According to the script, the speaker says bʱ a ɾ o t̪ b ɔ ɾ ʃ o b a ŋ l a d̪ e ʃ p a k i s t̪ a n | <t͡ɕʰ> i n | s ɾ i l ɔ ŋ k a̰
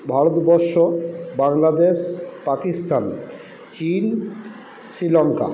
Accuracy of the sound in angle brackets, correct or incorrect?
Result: incorrect